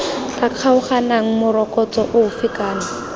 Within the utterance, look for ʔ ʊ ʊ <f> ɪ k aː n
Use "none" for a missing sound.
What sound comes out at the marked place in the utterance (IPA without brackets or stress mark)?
f